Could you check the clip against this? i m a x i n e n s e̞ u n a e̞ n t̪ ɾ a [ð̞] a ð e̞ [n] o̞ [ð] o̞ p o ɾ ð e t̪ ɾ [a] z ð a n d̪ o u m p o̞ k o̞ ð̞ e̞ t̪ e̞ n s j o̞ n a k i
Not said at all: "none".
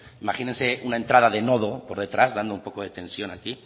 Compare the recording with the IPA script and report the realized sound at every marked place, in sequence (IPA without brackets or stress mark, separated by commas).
ð̞, n, ð, a